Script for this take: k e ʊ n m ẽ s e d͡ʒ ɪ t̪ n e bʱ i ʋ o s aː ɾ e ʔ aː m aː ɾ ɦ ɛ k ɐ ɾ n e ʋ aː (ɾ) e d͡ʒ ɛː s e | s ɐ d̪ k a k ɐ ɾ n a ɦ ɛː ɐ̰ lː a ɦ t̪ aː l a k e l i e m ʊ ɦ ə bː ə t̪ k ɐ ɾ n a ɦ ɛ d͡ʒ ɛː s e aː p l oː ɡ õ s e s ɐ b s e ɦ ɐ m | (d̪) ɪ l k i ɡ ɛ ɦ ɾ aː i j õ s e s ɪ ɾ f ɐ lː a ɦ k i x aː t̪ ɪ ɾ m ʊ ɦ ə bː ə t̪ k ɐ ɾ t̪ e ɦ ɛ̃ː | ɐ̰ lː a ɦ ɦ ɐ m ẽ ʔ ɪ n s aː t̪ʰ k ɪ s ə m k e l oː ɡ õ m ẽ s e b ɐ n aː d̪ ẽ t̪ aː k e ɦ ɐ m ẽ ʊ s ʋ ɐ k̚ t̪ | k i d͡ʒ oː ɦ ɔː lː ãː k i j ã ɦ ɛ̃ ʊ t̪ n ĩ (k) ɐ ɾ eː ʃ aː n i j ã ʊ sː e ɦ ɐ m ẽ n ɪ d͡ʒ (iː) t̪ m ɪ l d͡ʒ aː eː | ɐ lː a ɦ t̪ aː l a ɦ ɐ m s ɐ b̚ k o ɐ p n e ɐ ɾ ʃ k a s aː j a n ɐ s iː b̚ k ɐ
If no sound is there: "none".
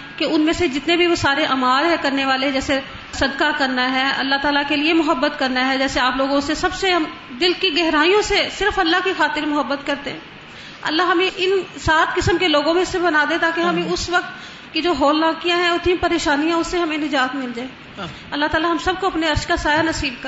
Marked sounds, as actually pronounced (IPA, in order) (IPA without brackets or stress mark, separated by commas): l, d̪, p, aː